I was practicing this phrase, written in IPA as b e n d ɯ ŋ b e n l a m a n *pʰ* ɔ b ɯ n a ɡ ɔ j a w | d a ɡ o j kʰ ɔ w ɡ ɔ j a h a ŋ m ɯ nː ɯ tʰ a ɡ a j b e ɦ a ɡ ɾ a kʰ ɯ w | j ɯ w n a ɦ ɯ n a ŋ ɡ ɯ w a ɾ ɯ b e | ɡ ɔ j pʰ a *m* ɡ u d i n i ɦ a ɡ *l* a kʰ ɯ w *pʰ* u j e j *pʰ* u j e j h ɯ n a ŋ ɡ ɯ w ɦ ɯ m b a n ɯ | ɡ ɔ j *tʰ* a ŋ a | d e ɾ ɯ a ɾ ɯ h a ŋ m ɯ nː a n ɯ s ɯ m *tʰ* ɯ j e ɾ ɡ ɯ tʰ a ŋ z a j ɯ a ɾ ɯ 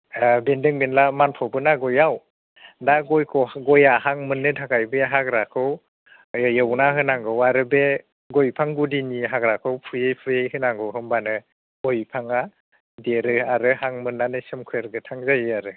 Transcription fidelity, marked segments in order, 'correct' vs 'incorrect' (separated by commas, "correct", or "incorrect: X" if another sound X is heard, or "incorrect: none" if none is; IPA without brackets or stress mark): correct, incorrect: ŋ, incorrect: ɾ, correct, correct, incorrect: pʰ, incorrect: kʰ